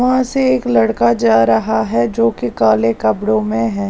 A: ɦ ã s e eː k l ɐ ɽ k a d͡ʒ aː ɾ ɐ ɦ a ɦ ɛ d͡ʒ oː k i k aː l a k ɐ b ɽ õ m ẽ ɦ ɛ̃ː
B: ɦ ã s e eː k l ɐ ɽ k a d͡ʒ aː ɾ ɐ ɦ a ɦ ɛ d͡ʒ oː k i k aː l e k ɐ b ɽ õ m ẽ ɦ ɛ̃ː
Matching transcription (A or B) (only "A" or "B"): B